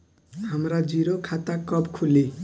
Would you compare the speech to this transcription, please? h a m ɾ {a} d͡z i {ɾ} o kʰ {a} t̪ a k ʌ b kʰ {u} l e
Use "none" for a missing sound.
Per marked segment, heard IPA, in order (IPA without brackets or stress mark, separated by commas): a, ɾ, a, u